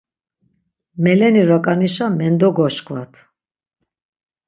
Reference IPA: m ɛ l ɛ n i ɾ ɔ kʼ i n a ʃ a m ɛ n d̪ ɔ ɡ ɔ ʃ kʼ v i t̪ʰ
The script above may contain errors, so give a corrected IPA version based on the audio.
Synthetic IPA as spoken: m ɛ l ɛ n i ɾ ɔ kʼ a n i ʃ a m ɛ n d̪ ɔ ɡ ɔ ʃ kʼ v a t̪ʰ